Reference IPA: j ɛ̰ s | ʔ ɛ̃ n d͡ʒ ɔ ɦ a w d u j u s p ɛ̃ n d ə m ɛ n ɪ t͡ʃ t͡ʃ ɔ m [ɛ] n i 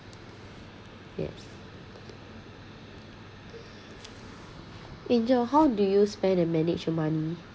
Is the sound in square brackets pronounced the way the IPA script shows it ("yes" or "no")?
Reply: no